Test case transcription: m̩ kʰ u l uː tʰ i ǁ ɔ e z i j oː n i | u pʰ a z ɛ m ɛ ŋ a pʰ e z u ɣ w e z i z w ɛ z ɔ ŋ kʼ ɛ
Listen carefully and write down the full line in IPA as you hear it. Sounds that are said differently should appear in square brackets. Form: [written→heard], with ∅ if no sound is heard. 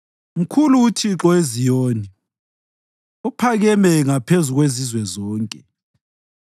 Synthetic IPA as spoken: m̩ kʰ u l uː tʰ i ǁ ɔ e z i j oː n i | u pʰ a [z→ɣ] ɛ m ɛ ŋ a pʰ e z u ɣ w e z i z w ɛ z [ɔ→ɔː] ŋ kʼ ɛ